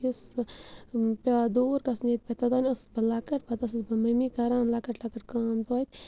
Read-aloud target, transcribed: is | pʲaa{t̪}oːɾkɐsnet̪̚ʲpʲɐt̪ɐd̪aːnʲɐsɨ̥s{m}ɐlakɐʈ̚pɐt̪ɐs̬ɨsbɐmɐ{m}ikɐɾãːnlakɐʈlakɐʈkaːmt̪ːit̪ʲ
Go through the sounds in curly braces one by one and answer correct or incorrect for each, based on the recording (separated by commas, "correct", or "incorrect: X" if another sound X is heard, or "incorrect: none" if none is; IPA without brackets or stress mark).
incorrect: d̪, incorrect: b, correct